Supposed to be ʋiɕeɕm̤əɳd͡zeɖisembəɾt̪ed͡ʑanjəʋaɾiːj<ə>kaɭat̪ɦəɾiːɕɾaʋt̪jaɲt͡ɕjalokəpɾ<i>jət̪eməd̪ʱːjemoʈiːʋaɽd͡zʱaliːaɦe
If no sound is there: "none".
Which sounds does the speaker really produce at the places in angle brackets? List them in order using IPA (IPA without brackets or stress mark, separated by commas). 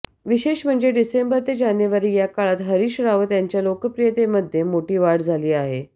a, i